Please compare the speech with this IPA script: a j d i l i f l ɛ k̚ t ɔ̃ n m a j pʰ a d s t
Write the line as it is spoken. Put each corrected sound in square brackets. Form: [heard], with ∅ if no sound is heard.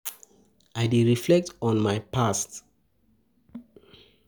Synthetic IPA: a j d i [ɹ] i f l ɛ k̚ t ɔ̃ n m a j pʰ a [∅] s t